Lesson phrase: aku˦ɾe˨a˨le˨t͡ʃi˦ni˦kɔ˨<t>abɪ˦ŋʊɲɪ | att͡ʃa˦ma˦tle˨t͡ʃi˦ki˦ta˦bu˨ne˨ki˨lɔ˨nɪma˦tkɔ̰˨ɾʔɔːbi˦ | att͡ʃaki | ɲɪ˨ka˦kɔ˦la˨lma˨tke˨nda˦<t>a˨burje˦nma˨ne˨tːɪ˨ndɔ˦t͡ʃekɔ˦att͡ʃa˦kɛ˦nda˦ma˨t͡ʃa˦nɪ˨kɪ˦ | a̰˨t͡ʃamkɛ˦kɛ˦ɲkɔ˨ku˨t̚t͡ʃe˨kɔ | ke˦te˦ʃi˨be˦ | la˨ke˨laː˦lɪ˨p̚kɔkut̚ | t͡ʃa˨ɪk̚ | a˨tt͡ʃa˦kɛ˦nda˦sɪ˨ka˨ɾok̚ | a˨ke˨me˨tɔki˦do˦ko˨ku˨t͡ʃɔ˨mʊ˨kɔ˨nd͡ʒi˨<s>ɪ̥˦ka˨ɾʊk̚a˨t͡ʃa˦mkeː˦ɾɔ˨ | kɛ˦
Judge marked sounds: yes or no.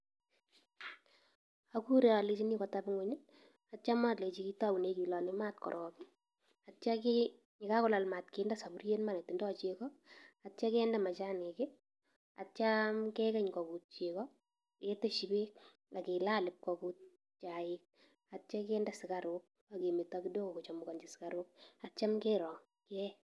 yes, no, yes

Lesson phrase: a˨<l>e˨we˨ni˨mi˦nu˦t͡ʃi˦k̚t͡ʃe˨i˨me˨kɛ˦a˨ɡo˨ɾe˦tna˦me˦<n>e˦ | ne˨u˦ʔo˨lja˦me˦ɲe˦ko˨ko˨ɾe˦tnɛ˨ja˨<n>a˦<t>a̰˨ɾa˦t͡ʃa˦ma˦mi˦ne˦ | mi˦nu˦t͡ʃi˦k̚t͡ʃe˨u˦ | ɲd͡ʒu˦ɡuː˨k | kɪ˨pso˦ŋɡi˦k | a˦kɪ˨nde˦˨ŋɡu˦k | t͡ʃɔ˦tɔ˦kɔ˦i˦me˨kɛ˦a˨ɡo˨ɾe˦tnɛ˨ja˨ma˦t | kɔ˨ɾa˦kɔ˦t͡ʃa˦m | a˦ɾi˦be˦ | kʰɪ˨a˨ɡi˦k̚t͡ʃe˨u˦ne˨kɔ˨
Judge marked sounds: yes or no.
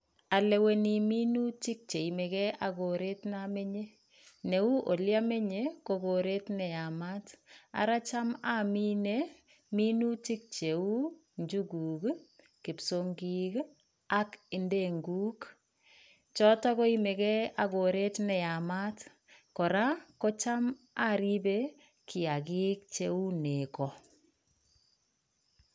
yes, no, no, yes

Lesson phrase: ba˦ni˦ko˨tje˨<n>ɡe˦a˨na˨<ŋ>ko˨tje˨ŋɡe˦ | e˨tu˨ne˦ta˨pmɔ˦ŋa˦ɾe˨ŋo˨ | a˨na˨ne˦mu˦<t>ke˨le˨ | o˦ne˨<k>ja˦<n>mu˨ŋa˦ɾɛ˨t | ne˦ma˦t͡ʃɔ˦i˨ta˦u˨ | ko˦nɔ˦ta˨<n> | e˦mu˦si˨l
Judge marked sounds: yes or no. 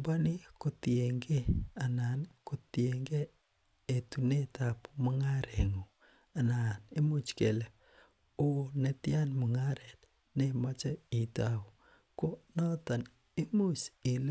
no, no, no, no, yes, yes

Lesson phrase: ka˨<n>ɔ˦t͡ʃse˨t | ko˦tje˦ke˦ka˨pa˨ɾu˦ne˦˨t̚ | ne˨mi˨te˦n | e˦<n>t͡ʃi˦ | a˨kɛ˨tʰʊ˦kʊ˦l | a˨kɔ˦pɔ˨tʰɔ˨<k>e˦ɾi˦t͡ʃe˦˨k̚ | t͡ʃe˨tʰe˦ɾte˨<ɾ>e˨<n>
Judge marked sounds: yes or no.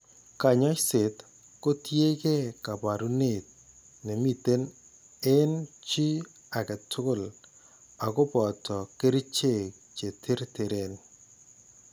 no, yes, yes, yes, yes

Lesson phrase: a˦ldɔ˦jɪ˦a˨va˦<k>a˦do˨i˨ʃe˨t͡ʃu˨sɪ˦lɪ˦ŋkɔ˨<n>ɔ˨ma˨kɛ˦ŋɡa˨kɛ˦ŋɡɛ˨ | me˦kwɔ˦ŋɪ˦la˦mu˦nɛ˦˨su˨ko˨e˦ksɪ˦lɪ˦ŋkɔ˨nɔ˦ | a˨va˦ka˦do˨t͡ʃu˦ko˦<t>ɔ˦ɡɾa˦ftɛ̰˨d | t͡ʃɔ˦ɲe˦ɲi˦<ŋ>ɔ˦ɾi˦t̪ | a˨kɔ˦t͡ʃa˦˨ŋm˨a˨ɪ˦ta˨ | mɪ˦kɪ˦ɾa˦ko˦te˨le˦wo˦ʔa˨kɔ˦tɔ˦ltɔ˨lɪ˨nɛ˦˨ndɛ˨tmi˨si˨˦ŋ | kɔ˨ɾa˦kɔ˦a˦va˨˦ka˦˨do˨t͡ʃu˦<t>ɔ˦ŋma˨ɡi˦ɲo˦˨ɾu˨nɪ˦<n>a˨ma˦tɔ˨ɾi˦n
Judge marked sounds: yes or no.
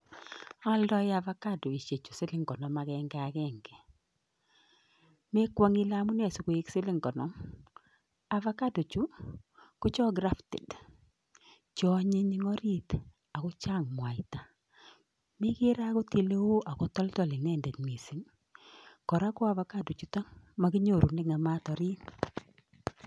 yes, yes, no, yes, yes, no

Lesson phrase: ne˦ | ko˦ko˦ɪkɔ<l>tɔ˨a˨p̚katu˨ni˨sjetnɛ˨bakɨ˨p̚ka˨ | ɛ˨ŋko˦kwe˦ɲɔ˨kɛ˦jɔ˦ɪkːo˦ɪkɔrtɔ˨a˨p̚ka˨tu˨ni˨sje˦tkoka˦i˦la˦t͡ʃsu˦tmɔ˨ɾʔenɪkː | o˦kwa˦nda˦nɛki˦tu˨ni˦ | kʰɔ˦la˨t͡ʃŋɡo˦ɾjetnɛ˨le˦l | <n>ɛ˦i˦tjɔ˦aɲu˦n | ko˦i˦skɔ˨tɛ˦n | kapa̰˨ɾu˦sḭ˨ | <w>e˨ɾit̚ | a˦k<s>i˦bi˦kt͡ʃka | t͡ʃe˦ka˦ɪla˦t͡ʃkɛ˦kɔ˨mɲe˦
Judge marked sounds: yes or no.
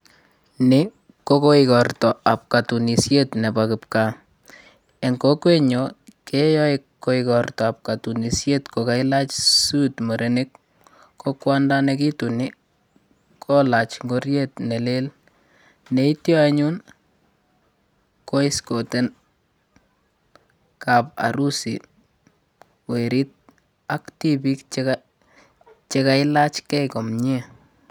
no, yes, yes, no

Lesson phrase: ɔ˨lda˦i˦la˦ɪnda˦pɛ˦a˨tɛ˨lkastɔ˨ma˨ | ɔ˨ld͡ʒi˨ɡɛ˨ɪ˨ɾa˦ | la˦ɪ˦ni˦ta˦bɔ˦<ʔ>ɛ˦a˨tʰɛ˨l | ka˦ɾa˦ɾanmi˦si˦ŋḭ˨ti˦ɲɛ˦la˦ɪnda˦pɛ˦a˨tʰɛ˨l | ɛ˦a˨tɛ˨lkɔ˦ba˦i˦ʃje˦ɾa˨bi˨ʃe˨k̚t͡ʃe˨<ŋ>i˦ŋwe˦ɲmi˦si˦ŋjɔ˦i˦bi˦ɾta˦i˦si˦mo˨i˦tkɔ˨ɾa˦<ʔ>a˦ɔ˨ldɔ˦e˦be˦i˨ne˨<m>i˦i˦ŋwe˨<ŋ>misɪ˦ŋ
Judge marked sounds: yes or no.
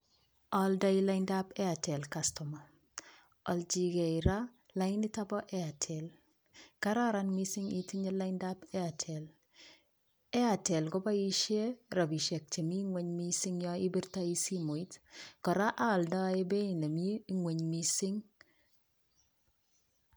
yes, no, yes, yes, no

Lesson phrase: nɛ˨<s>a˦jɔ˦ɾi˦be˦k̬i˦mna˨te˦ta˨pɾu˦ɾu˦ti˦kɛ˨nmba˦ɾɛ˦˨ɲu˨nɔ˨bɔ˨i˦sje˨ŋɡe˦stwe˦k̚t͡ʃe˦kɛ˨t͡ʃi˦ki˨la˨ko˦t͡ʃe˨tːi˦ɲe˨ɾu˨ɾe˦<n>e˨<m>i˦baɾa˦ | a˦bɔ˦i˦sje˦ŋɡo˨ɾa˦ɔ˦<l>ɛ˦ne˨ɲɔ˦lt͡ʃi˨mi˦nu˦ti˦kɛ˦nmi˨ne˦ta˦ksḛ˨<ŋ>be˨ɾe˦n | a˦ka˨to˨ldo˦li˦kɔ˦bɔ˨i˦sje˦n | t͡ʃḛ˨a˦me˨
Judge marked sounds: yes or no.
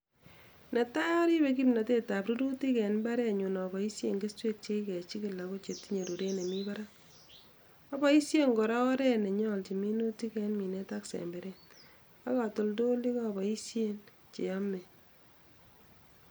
no, yes, yes, no, no

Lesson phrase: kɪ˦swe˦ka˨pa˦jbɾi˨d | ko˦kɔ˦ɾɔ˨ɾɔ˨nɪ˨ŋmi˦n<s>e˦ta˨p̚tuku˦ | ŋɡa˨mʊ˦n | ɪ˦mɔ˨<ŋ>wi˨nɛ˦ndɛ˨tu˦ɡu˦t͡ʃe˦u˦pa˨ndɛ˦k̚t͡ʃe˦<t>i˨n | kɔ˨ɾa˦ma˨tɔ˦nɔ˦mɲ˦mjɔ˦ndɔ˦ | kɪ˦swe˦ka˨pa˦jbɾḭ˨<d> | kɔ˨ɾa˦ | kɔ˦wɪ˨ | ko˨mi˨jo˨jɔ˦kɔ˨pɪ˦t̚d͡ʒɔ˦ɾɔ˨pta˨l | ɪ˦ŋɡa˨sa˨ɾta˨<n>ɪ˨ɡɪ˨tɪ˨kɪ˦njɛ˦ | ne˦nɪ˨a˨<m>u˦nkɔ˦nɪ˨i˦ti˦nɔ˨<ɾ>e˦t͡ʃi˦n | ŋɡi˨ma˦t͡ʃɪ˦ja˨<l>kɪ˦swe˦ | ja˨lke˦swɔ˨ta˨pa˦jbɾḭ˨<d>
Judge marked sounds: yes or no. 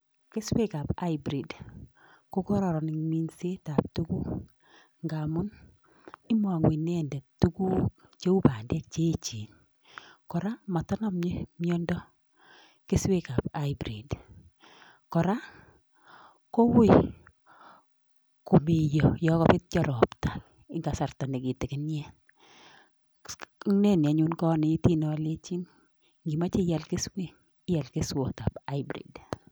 yes, yes, no, yes, yes, no, no, yes, yes

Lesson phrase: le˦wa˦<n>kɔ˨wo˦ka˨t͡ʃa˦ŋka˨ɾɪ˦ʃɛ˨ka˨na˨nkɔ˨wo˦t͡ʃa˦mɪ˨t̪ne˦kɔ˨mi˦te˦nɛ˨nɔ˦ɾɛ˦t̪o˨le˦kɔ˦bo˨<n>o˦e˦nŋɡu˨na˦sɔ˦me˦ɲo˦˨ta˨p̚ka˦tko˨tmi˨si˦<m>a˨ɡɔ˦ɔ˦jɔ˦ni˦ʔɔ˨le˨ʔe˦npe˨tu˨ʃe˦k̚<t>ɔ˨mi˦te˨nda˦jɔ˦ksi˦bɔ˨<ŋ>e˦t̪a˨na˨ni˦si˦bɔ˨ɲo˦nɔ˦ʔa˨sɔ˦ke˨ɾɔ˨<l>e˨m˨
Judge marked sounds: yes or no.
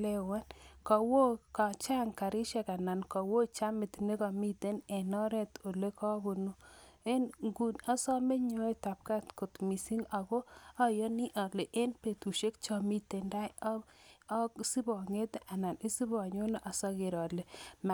yes, yes, no, no, yes, yes

